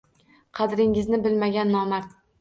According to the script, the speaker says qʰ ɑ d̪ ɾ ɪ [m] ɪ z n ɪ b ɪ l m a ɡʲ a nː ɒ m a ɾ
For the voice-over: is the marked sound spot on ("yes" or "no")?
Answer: no